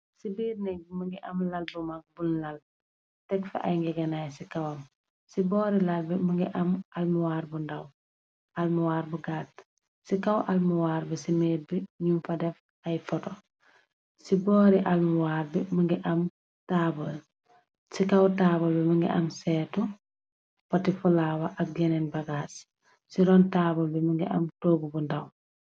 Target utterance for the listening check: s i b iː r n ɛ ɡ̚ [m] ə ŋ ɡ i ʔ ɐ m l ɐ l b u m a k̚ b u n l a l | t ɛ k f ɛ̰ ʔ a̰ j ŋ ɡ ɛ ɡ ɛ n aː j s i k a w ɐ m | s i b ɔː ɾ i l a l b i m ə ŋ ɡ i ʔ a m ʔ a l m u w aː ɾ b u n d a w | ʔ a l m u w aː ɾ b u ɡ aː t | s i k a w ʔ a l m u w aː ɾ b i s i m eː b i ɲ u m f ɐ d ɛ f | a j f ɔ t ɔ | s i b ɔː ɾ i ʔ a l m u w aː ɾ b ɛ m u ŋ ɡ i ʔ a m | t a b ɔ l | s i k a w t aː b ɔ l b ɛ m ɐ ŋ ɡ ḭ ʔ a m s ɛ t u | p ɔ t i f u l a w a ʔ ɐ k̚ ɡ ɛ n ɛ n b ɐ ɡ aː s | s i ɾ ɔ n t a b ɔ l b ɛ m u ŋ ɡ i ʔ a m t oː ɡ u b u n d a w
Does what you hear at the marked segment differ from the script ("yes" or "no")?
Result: no